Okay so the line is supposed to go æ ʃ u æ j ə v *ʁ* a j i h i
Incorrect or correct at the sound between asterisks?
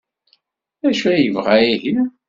correct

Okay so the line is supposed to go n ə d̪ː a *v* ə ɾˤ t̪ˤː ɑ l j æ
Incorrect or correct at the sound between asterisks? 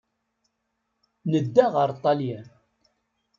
incorrect: ʁ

